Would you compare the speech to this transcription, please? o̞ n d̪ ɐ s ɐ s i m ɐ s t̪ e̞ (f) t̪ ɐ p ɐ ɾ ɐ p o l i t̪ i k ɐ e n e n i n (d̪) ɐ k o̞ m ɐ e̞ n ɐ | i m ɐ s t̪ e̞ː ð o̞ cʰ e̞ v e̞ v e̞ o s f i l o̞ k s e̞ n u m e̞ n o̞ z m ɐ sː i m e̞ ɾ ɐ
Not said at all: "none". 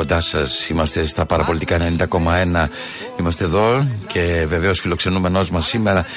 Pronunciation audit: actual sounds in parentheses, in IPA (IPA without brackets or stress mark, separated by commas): s, d̪